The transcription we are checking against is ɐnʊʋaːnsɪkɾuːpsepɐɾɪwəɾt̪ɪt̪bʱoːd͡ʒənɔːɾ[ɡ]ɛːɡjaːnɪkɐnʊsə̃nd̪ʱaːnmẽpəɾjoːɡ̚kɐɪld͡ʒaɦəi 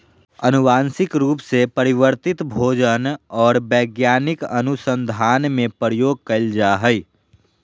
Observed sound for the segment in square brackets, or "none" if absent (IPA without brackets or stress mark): b